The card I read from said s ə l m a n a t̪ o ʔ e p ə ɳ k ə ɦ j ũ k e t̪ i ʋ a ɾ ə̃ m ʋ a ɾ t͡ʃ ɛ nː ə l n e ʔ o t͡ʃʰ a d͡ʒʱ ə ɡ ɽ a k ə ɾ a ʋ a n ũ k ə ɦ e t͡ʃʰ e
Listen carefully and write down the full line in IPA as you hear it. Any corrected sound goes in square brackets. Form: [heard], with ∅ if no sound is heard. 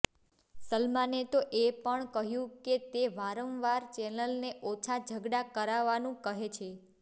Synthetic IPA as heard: s ə l m a n [e] t̪ o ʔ e p ə ɳ k ə ɦ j ũ k e t̪ [e] ʋ a ɾ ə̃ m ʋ a ɾ t͡ʃ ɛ [n] ə l n e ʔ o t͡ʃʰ a d͡ʒʱ ə ɡ ɽ a k ə ɾ a ʋ a n ũ k ə ɦ e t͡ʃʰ e

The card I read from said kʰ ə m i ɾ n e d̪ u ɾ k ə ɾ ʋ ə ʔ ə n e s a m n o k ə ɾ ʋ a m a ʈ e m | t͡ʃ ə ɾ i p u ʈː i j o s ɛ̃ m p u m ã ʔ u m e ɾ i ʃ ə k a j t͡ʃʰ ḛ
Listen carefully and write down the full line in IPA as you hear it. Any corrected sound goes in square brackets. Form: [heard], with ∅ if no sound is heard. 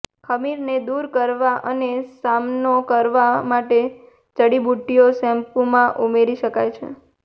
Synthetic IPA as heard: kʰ ə m i ɾ n e d̪ u ɾ k ə ɾ ʋ [a] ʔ ə n e s a m n o k ə ɾ ʋ a m a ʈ e [∅] | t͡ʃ ə [ɽ] i [b] u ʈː i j o s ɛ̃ m p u m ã ʔ u m e ɾ i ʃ ə k a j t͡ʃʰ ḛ

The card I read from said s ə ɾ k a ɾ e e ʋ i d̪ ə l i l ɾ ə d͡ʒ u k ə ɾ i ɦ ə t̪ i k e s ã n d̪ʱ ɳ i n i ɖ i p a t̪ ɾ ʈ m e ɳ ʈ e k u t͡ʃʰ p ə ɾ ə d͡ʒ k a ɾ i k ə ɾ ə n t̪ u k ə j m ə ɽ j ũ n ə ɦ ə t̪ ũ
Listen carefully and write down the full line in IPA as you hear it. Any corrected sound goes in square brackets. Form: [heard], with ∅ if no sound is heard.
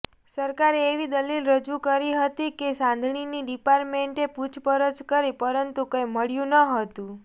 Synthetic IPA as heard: s ə ɾ k a ɾ e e ʋ i d̪ ə l i l ɾ ə d͡ʒ u k ə ɾ i ɦ ə t̪ i k e s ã n d̪ʱ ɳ i n i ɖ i p a [∅] ɾ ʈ m e ɳ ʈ e [p] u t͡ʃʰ p ə ɾ ə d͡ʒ k [ə] ɾ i [p] ə ɾ ə n t̪ u k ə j m ə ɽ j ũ n ə ɦ ə t̪ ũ

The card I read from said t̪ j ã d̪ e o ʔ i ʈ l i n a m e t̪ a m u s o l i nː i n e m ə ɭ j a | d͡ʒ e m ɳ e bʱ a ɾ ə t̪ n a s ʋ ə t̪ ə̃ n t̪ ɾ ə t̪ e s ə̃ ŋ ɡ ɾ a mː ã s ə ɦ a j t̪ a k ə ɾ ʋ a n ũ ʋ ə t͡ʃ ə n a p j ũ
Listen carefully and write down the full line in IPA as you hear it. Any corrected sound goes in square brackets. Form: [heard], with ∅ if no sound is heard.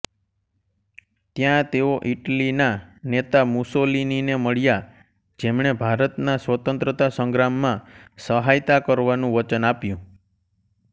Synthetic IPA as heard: t̪ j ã [t̪] e o ʔ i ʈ l i n a [n] e t̪ a m u s o l i [n] i n e m ə ɭ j a | d͡ʒ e m ɳ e bʱ a ɾ ə t̪ n a s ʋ ə t̪ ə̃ n t̪ ɾ ə t̪ [a] s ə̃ ŋ ɡ ɾ a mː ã s ə ɦ a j t̪ a k ə ɾ ʋ a n ũ ʋ ə t͡ʃ ə n a p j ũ

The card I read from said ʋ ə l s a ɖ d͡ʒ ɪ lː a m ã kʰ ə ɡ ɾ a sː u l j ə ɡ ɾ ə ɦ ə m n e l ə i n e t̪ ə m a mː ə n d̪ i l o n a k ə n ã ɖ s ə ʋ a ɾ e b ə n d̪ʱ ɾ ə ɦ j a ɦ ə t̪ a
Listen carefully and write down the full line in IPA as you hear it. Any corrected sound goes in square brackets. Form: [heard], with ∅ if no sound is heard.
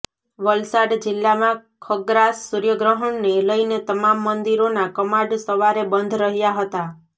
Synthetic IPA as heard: ʋ ə l s a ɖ d͡ʒ ɪ lː a m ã kʰ ə ɡ ɾ a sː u [ɾ] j ə ɡ ɾ ə ɦ ə [ɳ] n e l ə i n e t̪ ə m a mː ə n d̪ i [ɾ] o n a k ə [m] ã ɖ s ə ʋ a ɾ e b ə n d̪ʱ ɾ ə ɦ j a ɦ ə t̪ a

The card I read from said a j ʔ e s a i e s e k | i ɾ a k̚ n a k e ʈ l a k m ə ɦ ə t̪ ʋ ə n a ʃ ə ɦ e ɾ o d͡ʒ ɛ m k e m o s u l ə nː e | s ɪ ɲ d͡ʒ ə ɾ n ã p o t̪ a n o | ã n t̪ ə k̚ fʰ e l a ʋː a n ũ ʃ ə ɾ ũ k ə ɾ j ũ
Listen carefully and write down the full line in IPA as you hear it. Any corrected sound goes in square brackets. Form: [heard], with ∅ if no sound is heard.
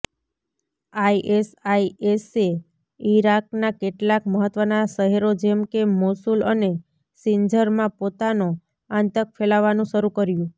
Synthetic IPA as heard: a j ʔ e s a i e s e [∅] | i ɾ a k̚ n a k e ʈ l a k m ə ɦ ə t̪ ʋ ə n a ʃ ə ɦ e ɾ o d͡ʒ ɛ m k e m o s u l ə [n] e | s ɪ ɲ d͡ʒ ə ɾ [m] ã p o t̪ a n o | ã n t̪ ə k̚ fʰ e l a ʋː a n ũ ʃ ə ɾ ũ k ə ɾ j ũ

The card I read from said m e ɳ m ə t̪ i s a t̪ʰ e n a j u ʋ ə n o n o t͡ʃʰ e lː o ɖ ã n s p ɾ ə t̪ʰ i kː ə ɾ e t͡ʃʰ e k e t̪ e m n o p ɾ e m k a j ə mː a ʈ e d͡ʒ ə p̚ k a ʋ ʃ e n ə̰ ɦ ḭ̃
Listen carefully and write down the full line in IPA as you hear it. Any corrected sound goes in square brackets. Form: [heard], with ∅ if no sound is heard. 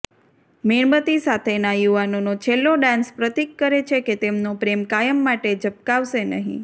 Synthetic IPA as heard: m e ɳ m ə t̪ i s a t̪ʰ e n a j u ʋ [a] n o n o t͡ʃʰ e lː o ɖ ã n s p ɾ ə [t̪] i kː ə ɾ e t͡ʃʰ e k e t̪ e m n o p ɾ e m k a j ə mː a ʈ e d͡ʒ ə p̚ k a ʋ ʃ e n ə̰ ɦ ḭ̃

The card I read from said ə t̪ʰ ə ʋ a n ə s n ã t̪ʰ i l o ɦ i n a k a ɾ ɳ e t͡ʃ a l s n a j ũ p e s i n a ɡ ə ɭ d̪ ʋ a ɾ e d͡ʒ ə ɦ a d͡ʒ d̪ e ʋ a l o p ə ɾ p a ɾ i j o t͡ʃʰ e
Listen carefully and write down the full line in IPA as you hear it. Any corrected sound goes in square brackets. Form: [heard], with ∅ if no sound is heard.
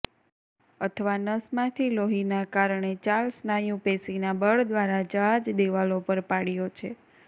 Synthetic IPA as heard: ə t̪ʰ ə ʋ a n ə s [m] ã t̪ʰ i l o ɦ i n a k a ɾ ɳ e t͡ʃ a l s n a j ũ p e s i n a [b] ə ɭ d̪ ʋ a ɾ [a] d͡ʒ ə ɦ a d͡ʒ d̪ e ʋ a l o p ə ɾ p a [ɽ] i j o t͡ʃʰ e

